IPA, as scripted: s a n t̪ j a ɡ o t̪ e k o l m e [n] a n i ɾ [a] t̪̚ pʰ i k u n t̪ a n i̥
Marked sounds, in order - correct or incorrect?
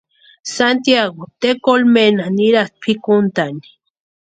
correct, correct

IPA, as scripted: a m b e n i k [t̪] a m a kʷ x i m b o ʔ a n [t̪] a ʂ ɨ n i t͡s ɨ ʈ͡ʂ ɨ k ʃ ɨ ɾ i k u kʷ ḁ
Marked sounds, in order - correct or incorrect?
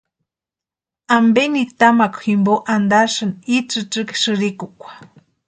correct, incorrect: d̪

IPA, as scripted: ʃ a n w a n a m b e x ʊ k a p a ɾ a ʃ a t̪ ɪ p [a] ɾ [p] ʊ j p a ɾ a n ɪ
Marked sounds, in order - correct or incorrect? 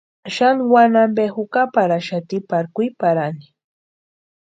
correct, incorrect: k

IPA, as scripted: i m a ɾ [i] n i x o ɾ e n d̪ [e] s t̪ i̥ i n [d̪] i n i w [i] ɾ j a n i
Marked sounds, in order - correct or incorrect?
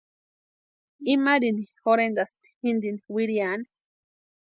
correct, incorrect: a, correct, correct

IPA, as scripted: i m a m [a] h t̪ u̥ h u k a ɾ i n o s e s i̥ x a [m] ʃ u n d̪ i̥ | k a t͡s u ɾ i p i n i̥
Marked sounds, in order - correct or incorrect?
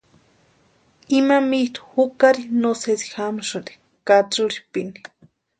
incorrect: i, correct

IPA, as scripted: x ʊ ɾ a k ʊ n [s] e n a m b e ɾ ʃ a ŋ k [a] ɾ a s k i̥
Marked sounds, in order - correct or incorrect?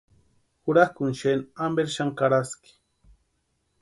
incorrect: ʃ, correct

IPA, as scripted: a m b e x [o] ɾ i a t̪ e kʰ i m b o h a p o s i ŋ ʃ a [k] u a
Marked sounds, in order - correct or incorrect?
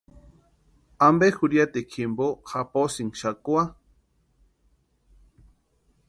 incorrect: u, correct

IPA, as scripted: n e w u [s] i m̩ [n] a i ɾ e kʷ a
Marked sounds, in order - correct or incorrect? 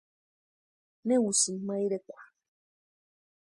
correct, incorrect: m

